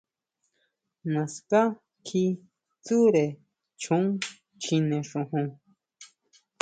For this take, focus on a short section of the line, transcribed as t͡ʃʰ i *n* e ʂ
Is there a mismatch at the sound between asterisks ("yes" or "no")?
no